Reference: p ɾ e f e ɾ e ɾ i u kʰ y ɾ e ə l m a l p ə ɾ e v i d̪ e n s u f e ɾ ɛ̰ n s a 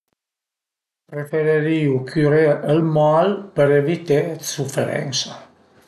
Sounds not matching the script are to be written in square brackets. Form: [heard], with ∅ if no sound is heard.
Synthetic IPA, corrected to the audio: p ɾ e f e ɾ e ɾ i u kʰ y ɾ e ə l m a l p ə ɾ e v i [t̪] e [∅] s u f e ɾ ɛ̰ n s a